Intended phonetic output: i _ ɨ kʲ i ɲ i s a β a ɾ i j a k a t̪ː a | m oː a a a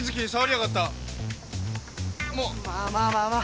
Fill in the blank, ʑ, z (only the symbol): z